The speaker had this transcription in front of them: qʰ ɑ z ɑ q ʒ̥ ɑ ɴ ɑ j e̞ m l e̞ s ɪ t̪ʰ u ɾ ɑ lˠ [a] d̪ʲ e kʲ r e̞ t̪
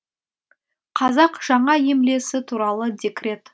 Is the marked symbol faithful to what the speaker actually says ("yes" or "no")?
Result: no